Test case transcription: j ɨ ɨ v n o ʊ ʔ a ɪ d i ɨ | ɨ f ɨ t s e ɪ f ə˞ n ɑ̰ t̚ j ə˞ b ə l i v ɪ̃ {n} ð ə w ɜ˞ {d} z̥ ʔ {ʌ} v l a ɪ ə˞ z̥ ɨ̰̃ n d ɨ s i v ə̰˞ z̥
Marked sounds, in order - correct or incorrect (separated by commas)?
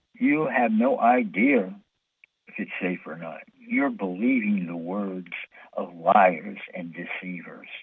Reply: incorrect, correct, correct